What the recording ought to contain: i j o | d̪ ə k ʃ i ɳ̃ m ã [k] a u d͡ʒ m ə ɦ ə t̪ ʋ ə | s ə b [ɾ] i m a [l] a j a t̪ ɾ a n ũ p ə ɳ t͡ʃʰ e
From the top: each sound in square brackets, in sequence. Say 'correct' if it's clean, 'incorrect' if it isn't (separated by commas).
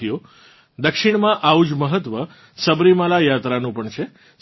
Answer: incorrect, correct, correct